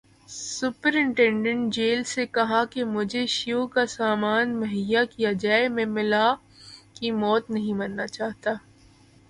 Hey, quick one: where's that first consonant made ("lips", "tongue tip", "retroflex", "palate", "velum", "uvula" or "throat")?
tongue tip